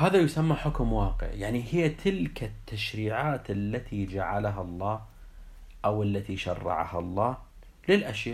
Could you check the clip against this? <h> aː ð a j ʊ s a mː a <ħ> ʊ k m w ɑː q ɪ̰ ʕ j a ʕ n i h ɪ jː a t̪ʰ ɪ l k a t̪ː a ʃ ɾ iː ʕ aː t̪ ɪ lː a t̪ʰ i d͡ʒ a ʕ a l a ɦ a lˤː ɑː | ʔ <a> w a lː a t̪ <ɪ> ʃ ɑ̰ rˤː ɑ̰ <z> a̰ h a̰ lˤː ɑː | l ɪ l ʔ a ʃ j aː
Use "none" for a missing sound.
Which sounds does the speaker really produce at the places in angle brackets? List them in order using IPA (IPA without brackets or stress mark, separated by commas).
h, ħ, a, i, ʕ